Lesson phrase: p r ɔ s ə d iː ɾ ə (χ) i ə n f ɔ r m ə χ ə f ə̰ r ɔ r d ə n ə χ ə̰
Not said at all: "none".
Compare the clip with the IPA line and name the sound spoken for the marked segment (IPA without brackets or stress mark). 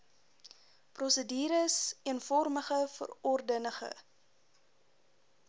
s